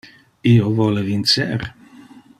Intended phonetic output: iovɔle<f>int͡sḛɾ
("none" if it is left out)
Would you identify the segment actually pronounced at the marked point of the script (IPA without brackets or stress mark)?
v